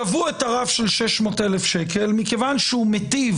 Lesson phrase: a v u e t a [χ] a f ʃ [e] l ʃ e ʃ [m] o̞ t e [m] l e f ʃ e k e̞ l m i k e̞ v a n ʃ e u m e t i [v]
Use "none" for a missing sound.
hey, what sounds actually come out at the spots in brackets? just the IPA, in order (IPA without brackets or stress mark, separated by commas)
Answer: ʁ, e, m, none, v